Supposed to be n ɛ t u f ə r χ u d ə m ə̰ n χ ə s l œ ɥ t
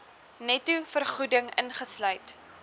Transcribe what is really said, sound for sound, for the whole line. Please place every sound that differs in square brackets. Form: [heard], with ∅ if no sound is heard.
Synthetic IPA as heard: n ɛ t u f ə r χ u d ə [ŋ] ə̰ n χ ə s l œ ɥ t